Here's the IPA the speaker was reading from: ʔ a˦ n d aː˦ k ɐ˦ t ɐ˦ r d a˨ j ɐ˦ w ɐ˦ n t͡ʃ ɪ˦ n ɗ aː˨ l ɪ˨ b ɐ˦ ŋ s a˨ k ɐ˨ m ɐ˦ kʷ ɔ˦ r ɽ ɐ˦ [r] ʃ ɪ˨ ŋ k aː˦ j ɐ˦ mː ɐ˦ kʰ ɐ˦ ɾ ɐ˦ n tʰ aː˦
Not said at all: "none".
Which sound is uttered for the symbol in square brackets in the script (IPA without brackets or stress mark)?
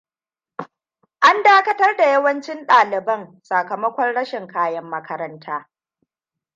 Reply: none